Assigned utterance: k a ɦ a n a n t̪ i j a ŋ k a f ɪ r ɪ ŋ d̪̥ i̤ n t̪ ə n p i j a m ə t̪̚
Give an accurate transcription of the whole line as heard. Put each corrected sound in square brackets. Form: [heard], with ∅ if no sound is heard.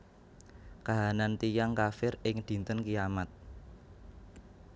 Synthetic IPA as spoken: k a ɦ a n a n t̪ i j a ŋ k a f ɪ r ɪ ŋ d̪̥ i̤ n t̪ ə n [k] i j a m [a] t̪̚